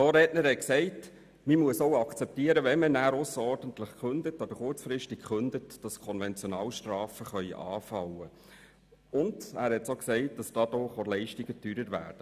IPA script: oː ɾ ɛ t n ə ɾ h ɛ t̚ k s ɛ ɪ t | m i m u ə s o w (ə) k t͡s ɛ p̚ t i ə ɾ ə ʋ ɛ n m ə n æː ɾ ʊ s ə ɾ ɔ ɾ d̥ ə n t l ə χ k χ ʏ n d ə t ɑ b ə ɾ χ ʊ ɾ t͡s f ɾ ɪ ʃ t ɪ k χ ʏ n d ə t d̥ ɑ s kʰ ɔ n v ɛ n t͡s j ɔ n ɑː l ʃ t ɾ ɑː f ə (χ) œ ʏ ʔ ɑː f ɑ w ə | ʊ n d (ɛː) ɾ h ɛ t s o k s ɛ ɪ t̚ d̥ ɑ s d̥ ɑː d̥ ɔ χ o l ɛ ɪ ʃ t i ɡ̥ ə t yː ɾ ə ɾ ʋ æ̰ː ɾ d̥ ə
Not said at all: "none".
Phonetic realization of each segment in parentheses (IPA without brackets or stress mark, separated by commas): ɑ, χ, æː